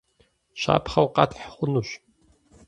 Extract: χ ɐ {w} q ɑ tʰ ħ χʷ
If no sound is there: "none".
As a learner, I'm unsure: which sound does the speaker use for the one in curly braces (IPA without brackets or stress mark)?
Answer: w